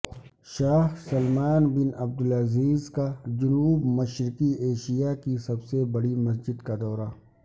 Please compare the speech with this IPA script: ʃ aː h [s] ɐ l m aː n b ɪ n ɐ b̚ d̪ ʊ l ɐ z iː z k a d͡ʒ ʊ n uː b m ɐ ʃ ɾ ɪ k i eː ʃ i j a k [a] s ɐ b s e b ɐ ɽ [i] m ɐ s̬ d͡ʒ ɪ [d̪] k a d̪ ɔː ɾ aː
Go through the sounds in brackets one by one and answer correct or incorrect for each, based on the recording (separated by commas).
correct, incorrect, correct, correct